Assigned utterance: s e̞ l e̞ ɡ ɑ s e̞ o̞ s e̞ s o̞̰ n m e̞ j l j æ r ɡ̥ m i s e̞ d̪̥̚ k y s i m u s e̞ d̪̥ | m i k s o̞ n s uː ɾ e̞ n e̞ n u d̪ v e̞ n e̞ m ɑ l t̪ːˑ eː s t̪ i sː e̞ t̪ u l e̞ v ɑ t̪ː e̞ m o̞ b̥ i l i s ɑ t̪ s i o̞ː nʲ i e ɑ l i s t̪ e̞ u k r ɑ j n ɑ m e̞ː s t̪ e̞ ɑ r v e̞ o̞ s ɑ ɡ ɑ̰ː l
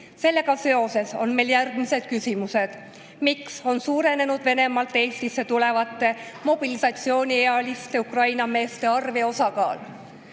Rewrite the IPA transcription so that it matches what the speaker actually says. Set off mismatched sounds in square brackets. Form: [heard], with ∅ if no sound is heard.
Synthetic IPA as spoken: s e̞ [lː] e̞ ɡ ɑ s e̞ o̞ s e̞ s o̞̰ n m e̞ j l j æ r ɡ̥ m i s e̞ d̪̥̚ k y s i m u s e̞ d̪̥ | m i k s o̞ n s uː ɾ e̞ n e̞ n u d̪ v e̞ n e̞ m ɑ l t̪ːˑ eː s t̪ i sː e̞ t̪ u l e̞ v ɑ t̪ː e̞ m o̞ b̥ i l i s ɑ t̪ s i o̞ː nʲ i e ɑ l i s t̪ e̞ u k r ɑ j n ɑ m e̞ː s t̪ e̞ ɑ r v e̞ o̞ s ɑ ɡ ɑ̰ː l